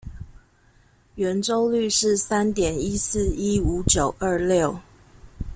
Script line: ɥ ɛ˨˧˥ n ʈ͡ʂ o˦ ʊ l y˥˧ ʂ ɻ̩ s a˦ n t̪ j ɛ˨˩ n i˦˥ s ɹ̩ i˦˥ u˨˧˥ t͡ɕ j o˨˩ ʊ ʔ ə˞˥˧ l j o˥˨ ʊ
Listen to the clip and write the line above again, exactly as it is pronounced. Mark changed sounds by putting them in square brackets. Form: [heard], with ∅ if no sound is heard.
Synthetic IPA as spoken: ɥ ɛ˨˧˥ n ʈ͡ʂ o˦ ʊ l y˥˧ ʂ ɻ̩ s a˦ n t̪ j ɛ˨˩ n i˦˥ s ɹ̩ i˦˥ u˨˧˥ t͡ɕ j o˨˩ ʊ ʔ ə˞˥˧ l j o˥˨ ʊ